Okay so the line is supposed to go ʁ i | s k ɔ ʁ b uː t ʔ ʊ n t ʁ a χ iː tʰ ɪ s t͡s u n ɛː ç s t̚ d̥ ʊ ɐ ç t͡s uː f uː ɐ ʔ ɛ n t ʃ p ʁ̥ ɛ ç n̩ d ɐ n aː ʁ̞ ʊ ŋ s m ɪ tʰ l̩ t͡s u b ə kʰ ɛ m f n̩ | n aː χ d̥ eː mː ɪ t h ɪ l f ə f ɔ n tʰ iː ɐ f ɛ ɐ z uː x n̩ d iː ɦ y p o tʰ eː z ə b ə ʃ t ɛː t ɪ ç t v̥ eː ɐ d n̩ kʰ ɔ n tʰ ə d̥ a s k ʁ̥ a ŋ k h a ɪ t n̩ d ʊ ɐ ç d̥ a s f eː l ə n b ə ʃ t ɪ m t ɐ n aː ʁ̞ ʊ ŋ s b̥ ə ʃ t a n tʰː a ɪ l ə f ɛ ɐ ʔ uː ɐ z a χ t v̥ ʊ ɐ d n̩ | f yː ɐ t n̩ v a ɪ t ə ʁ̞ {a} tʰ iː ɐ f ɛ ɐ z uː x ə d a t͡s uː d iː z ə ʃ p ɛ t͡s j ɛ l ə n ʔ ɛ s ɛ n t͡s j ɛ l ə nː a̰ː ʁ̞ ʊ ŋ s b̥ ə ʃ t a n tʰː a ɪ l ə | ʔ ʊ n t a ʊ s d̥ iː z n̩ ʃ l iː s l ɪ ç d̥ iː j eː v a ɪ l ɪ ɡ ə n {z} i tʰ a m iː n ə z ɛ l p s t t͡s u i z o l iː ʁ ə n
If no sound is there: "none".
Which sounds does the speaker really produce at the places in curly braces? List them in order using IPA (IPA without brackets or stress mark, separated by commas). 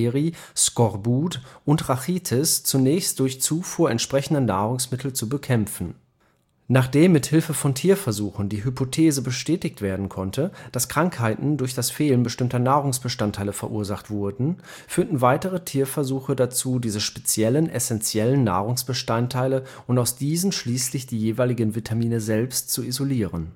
ə, v